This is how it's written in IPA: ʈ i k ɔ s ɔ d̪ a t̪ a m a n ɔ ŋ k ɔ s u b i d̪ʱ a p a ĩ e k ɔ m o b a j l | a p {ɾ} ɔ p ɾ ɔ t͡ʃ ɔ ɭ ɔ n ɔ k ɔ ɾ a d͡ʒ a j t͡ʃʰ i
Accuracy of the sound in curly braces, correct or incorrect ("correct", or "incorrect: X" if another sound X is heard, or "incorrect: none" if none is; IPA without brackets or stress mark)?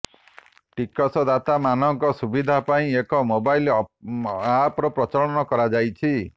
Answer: correct